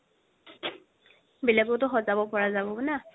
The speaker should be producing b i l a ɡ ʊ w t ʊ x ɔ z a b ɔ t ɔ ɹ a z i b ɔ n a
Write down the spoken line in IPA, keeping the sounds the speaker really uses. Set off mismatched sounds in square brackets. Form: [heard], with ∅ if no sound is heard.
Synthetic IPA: b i l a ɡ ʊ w t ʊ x ɔ z a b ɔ [p] ɔ ɹ a z [a] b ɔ n a